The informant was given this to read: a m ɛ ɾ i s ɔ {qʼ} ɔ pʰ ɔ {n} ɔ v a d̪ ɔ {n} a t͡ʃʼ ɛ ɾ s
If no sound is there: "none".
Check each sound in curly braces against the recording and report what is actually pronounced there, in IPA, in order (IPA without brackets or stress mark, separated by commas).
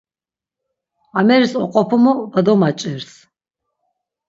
qʼ, m, m